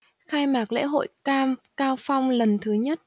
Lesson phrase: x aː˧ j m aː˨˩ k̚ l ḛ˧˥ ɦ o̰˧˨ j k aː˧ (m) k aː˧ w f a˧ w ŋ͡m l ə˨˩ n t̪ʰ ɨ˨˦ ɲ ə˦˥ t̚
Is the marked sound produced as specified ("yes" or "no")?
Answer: yes